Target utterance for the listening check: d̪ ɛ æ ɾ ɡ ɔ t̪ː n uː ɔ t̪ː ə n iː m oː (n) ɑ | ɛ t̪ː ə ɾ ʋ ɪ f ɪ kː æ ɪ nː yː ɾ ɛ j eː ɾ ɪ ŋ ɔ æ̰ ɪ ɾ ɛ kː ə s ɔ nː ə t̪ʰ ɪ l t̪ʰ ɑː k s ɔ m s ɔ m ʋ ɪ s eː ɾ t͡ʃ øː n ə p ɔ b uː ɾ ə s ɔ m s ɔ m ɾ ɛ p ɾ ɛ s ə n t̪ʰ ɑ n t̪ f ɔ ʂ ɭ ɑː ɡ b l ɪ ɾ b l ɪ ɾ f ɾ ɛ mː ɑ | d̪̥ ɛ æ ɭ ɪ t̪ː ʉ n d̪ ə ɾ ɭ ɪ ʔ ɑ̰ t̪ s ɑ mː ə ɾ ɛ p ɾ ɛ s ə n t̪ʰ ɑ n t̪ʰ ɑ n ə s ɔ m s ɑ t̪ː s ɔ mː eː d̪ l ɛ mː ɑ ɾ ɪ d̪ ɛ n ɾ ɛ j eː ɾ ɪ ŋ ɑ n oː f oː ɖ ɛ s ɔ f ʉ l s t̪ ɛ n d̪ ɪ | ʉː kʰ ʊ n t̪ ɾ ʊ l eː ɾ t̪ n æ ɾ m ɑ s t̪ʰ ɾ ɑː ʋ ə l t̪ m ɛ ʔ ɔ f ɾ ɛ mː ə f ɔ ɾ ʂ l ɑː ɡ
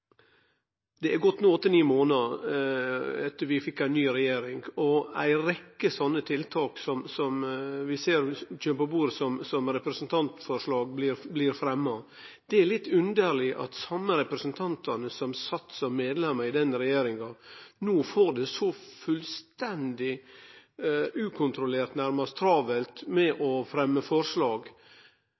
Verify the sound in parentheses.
correct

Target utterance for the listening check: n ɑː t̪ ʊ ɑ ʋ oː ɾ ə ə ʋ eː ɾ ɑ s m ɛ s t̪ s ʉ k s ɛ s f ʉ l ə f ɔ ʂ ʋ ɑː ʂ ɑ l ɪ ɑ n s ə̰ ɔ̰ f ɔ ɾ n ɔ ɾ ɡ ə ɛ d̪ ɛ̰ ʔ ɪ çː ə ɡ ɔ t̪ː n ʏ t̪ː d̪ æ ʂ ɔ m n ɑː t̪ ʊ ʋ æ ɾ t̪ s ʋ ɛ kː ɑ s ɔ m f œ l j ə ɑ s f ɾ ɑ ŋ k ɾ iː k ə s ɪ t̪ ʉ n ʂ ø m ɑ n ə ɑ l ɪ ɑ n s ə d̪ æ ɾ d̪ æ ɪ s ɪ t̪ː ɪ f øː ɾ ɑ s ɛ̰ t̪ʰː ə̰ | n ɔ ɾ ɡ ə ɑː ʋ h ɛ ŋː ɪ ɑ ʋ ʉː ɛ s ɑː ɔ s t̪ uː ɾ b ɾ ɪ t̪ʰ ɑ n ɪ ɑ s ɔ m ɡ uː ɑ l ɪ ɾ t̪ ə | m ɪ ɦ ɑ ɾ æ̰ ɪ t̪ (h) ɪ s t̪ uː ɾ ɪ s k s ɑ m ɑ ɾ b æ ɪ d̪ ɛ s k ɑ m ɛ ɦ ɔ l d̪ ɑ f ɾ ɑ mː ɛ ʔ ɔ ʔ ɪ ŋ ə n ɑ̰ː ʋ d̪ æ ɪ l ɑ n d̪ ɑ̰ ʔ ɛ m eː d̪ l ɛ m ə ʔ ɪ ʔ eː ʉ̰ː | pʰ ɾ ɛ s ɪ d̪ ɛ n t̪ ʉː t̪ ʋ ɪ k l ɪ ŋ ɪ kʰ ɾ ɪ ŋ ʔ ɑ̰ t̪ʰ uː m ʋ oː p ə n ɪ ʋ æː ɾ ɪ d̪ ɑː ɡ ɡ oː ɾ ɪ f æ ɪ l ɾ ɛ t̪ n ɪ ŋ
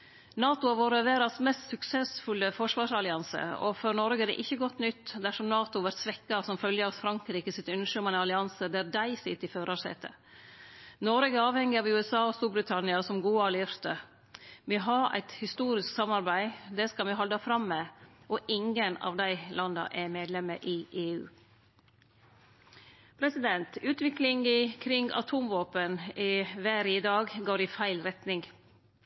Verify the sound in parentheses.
correct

